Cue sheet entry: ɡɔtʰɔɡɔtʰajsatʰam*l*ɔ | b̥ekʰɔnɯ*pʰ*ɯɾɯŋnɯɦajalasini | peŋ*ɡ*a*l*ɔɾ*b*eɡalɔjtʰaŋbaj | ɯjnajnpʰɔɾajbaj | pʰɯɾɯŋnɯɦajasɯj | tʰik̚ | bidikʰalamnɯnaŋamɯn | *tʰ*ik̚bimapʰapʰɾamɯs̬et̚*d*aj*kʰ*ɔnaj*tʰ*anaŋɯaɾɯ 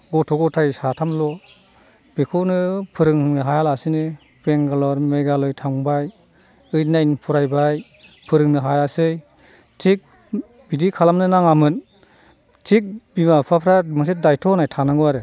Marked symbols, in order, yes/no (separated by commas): yes, yes, yes, yes, no, yes, yes, no, yes